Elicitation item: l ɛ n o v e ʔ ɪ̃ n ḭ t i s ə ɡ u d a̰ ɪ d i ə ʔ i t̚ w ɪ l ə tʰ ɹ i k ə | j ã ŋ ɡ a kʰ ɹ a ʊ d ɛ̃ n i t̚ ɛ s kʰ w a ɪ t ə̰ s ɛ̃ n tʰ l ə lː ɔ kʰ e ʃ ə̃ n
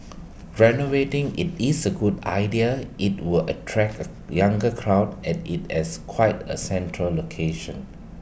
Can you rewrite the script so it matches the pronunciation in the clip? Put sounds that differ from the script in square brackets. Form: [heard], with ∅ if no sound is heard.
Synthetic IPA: [ɹ] ɛ n o v e [t] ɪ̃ [ŋ] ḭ t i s ə ɡ u d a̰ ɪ d i ə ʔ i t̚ w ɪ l ə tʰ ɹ [ɛ] k ə | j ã ŋ ɡ [ə] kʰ ɹ a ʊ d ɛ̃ n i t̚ ɛ s kʰ w a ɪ t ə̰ s ɛ̃ n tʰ [ɹ] ə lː [o] kʰ e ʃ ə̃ n